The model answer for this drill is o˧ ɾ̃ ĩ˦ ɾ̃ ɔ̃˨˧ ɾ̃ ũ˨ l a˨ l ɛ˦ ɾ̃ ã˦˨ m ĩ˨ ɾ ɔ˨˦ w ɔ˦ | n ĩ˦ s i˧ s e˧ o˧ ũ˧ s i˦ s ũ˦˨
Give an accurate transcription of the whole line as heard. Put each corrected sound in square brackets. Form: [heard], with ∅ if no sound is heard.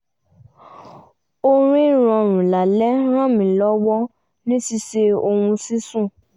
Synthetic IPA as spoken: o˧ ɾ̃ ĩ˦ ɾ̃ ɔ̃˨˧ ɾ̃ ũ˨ l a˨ l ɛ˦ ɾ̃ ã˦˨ m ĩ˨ [l] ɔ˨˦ w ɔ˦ | n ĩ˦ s i˧ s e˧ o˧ ũ˧ s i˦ s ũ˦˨